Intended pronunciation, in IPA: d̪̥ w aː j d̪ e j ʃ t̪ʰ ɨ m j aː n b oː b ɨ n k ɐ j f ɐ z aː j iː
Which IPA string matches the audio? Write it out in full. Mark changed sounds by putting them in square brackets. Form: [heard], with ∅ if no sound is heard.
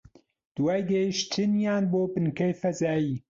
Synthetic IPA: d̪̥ w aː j d̪ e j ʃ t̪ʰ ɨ [n] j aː n b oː b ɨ n k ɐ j f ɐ z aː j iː